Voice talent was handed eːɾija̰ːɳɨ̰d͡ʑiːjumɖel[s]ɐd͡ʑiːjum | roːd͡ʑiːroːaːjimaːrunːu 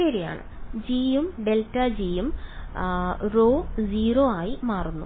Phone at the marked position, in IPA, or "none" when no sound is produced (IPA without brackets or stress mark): t